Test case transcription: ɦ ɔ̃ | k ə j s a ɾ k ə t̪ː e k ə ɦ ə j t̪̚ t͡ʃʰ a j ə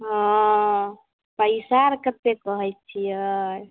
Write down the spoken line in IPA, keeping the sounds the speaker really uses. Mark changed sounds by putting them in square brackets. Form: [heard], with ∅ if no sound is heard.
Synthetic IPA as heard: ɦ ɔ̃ | [p] ə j s a ɾ k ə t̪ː e k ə ɦ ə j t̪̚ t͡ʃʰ [i] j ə